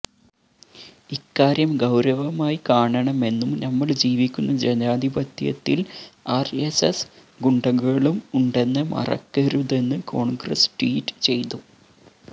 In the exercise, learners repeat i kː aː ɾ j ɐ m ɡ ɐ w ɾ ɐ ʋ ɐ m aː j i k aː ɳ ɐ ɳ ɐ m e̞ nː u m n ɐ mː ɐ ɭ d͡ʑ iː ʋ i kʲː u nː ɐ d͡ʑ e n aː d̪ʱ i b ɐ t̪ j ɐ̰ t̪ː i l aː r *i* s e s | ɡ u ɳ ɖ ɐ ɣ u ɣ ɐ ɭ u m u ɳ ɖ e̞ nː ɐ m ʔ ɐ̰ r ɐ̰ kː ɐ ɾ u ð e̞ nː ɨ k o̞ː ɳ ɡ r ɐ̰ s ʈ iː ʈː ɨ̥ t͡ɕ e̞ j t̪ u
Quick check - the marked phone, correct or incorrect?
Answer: incorrect: e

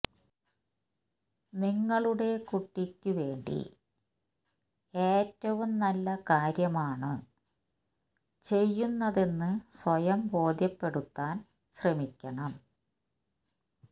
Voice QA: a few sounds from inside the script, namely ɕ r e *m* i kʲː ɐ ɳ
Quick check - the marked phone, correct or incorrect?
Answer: correct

